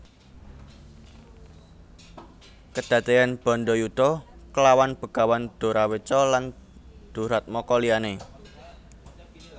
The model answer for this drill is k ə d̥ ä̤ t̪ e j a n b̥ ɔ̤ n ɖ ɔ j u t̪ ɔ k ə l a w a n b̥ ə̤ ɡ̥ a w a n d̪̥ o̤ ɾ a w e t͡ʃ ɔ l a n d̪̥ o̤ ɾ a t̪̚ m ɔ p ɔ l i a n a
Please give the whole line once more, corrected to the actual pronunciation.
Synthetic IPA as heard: k ə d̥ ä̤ t̪ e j a n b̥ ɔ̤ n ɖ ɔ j u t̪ ɔ k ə l a w a n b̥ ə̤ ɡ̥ a w a n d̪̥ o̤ ɾ a w e t͡ʃ ɔ l a n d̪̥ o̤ ɾ a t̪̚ m ɔ k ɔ l i a n e